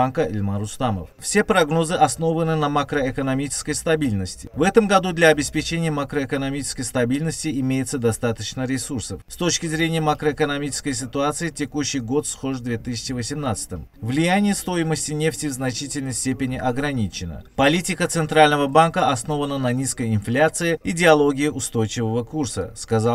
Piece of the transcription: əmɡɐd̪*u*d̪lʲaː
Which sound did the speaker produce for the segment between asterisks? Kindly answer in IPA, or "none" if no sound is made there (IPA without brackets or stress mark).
u